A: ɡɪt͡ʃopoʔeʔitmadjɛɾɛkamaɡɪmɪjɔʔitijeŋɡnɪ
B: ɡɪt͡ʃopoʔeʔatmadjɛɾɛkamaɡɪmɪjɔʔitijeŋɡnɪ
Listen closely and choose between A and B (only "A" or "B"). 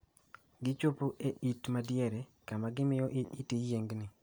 A